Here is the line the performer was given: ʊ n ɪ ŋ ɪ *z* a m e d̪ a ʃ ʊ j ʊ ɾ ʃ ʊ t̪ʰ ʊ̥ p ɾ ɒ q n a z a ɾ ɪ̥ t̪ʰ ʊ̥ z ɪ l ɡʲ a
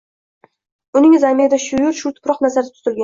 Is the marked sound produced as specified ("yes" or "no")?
yes